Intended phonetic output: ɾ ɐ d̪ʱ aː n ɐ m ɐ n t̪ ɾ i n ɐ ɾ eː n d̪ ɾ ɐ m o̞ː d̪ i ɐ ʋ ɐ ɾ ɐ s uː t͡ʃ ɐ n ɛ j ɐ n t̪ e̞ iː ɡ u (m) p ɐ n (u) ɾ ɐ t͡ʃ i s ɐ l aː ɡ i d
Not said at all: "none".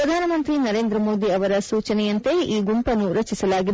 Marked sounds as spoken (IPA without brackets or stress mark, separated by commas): m, u